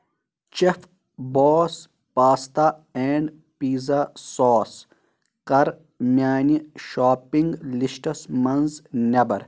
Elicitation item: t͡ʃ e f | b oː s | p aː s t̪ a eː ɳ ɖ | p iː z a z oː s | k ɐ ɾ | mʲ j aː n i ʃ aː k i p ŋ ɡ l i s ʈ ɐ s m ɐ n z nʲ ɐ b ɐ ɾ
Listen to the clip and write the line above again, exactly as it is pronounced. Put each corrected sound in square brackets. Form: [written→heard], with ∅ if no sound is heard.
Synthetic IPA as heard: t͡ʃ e f | b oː s | p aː s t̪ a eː ɳ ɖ | p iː z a [z→s] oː s | k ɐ ɾ | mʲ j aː n i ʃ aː [k→p] i [p→∅] ŋ ɡ l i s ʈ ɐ s m ɐ n z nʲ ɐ b ɐ ɾ